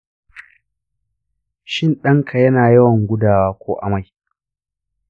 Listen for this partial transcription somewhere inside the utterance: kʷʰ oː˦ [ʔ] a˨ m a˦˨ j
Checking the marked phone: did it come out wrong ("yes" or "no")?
no